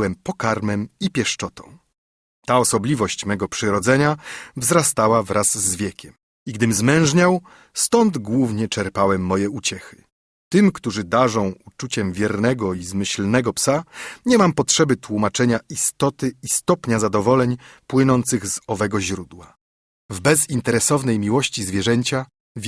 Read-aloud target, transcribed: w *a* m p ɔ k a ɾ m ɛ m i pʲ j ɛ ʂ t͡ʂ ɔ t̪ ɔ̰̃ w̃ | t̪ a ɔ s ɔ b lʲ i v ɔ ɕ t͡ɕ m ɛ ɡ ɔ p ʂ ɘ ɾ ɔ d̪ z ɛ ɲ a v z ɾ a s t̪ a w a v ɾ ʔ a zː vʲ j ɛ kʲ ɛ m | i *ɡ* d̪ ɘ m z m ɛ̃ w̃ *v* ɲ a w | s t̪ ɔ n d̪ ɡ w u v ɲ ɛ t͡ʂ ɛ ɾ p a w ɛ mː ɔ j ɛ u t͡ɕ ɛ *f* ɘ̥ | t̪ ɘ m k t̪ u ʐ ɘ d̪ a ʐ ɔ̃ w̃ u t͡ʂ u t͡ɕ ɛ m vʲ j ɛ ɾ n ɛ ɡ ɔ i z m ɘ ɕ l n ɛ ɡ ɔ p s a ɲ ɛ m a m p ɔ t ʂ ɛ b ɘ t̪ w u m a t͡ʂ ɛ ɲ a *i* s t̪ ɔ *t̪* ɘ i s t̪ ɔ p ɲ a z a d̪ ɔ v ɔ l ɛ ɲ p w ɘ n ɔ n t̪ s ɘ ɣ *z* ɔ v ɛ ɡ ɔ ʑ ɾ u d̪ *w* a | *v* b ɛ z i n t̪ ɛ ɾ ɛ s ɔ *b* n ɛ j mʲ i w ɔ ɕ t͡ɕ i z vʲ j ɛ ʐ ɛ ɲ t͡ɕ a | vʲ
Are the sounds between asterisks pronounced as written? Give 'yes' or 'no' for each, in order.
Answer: no, yes, no, no, yes, yes, yes, yes, yes, no

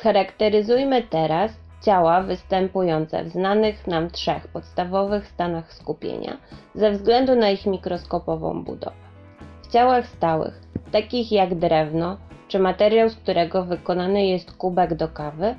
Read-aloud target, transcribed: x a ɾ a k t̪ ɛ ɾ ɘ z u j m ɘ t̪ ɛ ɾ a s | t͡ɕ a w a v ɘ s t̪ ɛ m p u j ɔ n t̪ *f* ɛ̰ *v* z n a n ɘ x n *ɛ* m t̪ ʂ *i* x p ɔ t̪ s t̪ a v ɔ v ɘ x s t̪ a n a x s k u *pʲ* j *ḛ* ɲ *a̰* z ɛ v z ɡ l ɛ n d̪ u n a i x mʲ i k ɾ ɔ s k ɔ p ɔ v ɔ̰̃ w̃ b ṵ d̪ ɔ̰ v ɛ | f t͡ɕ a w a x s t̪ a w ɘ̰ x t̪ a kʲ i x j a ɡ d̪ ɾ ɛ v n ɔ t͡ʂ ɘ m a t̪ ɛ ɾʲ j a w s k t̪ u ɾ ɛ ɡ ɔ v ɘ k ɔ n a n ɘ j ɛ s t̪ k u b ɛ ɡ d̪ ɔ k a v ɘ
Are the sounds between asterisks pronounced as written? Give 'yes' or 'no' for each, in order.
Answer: no, yes, no, no, yes, yes, yes

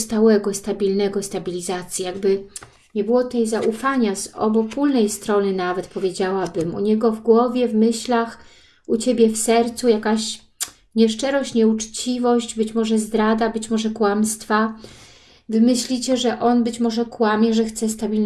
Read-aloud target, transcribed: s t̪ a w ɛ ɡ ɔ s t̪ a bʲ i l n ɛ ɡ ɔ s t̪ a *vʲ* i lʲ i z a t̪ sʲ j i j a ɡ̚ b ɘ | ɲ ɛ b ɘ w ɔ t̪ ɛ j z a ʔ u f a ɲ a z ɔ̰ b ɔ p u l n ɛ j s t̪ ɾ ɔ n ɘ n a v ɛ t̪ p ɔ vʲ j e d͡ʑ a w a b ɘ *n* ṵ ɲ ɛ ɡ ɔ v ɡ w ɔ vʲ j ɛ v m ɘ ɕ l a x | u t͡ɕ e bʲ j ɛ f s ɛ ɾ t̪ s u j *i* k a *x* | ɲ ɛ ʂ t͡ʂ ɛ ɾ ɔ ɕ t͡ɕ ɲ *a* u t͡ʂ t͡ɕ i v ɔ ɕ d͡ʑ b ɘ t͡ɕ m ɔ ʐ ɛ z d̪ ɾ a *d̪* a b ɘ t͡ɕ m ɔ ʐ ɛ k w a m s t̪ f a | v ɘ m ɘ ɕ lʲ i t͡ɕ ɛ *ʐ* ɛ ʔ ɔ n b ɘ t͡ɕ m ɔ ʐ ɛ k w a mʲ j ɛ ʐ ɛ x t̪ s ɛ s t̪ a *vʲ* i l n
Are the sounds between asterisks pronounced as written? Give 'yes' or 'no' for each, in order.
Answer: no, no, no, no, no, yes, yes, no

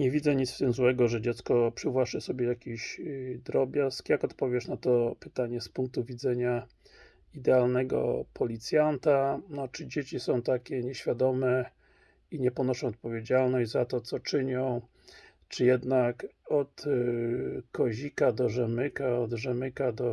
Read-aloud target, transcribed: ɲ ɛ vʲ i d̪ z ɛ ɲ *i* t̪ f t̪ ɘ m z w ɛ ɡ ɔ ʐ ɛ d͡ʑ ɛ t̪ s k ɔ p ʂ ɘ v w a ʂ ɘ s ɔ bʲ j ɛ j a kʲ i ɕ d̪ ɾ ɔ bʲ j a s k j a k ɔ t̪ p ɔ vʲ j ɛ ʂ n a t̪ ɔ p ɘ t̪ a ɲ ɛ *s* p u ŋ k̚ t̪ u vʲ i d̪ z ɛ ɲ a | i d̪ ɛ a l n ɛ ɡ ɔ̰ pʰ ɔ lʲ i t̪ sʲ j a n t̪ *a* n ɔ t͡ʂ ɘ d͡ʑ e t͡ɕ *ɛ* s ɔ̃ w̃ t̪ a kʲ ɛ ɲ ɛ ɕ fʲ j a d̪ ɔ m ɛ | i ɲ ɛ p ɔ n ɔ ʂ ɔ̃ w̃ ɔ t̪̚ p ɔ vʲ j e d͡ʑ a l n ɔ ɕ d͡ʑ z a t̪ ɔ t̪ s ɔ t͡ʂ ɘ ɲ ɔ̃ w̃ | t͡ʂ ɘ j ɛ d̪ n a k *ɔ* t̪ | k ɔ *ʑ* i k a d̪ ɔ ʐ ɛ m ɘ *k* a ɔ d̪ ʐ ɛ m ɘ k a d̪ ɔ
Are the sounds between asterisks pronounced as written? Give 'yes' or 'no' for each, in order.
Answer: yes, yes, yes, no, yes, yes, yes

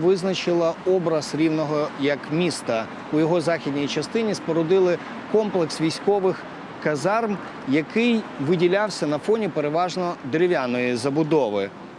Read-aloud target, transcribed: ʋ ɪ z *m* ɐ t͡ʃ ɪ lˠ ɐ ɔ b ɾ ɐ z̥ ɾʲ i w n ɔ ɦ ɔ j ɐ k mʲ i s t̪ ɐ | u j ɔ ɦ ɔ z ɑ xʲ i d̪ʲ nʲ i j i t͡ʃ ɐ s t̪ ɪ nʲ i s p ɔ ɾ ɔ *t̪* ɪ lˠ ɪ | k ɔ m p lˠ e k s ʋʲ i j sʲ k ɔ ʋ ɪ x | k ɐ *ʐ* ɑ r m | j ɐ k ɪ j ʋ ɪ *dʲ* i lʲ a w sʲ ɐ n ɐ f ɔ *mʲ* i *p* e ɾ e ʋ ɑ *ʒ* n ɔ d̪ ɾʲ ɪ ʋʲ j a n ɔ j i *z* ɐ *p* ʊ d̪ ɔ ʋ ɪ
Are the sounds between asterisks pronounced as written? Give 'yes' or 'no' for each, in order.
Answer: no, no, no, yes, no, yes, yes, yes, no

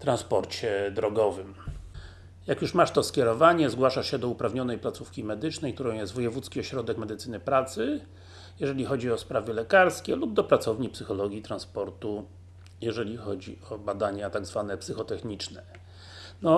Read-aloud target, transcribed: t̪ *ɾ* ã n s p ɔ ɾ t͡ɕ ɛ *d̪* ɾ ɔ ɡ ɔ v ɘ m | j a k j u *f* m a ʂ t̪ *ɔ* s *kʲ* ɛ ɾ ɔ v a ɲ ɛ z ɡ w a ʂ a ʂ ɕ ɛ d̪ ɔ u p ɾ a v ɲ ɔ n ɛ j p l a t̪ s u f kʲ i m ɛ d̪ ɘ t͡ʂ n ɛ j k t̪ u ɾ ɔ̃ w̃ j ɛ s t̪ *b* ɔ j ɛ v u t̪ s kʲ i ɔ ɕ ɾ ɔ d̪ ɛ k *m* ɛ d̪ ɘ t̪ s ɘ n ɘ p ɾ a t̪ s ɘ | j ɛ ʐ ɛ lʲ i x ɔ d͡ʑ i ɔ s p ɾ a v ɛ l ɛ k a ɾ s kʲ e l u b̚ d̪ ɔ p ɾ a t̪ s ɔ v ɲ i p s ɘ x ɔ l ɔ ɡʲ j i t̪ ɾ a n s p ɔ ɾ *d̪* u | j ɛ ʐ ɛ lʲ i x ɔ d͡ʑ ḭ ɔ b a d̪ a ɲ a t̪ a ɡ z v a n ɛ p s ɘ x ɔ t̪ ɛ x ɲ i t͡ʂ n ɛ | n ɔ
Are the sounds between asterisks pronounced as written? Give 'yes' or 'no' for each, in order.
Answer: yes, yes, no, yes, yes, no, yes, no

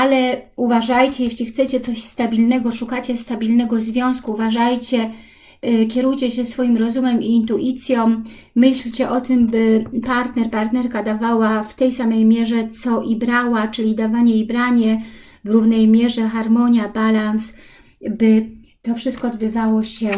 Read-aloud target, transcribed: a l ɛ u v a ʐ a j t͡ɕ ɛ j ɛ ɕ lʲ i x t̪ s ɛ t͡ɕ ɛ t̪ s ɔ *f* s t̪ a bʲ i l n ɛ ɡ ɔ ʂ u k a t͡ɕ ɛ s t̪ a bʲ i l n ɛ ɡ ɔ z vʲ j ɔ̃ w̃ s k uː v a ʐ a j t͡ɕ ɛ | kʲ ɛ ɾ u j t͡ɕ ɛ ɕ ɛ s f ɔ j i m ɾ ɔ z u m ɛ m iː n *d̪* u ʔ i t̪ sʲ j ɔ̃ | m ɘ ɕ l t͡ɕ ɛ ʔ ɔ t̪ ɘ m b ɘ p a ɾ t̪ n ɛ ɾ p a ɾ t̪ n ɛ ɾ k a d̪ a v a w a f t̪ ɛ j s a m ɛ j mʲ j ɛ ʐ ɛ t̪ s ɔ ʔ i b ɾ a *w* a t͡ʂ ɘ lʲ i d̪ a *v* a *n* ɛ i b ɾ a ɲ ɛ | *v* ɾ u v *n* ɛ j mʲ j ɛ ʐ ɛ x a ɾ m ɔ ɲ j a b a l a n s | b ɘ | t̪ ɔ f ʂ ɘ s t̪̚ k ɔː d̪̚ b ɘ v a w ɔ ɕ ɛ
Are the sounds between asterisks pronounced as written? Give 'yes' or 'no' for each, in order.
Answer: no, no, yes, yes, no, yes, yes

